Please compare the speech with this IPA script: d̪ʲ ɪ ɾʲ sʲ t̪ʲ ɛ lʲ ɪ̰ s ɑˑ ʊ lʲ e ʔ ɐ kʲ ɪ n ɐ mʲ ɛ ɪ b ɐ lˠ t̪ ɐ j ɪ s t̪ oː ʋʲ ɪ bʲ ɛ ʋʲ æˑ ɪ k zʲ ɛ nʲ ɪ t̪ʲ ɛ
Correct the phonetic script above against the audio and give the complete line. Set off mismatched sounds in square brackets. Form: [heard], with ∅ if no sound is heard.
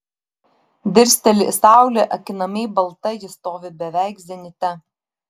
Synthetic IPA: d̪ʲ ɪ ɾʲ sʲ t̪ʲ ɛ lʲ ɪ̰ s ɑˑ ʊ lʲ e ʔ ɐ kʲ ɪ n ɐ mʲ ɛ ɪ b ɐ lˠ t̪ ɐ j ɪ s t̪ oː ʋʲ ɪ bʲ ɛ ʋʲ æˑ ɪ k zʲ ɛ nʲ ɪ t̪ʲ ɛ